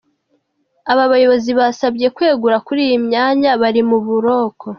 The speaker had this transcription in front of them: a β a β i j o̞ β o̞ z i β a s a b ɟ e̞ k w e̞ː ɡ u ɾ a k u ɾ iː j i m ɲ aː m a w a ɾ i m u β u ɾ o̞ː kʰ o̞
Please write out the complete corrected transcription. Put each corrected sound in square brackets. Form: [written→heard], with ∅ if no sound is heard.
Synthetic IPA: a β a β [i→a] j o̞ β o̞ z i β a s a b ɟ e̞ k w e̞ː ɡ u ɾ a k u ɾ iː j i m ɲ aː [m→ɲ] a [w→β] a ɾ i m u β u ɾ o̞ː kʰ o̞